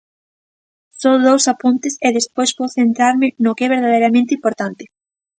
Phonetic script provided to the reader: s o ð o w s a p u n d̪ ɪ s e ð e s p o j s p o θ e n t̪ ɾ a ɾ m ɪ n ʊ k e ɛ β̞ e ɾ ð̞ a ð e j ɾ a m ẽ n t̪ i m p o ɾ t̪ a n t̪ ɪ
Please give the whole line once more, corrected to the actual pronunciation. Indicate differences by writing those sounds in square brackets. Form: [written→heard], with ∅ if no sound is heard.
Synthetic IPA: s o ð o w s a p u n [d̪→t̪] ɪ s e ð e s p o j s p o θ e n t̪ ɾ a ɾ m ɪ n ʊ k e ɛ β̞ e ɾ ð̞ a ð e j ɾ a m ẽ n t̪ i m p o ɾ t̪ a n t̪ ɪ